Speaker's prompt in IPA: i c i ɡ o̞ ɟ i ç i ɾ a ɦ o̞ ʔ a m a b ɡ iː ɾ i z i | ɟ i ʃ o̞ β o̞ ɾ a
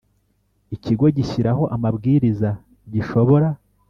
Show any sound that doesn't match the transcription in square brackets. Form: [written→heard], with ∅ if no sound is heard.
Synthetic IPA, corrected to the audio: i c i ɡ o̞ ɟ i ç i ɾ a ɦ o̞ ʔ a m a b ɡ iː ɾ i z [i→a] | ɟ i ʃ o̞ β o̞ ɾ a